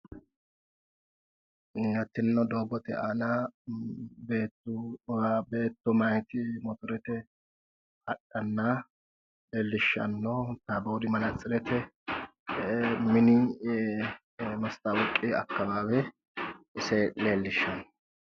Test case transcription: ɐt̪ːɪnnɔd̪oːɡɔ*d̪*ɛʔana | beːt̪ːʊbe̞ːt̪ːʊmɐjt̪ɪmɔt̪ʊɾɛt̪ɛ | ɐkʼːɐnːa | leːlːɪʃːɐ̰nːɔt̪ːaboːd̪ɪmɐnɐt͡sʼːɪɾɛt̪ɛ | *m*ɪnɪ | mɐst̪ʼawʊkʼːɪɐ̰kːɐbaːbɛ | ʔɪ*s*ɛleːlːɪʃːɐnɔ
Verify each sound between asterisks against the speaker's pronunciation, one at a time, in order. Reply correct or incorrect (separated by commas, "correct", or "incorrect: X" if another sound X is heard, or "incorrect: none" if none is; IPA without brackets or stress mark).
incorrect: t̪, correct, correct